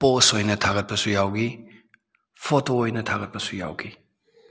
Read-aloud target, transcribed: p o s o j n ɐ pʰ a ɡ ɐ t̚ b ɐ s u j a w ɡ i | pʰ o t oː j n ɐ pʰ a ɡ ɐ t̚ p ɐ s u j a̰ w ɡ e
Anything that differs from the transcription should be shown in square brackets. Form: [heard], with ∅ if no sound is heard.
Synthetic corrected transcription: p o s o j n ɐ [tʰ] a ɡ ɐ t̚ [p] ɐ s u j a w ɡ i | pʰ o t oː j n ɐ [tʰ] a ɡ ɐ t̚ p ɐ s u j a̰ w ɡ [i]